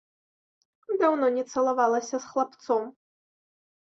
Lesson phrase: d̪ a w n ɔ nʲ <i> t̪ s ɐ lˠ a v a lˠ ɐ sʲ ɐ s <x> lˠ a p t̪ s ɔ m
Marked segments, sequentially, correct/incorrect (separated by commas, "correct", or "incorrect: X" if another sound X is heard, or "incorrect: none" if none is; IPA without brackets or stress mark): incorrect: ɛ, correct